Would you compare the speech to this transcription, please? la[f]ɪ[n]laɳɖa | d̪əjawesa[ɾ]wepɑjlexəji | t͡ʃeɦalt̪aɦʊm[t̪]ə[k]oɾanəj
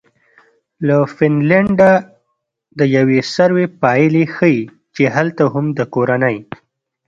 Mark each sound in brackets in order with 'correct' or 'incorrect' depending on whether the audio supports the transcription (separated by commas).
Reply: correct, correct, correct, incorrect, correct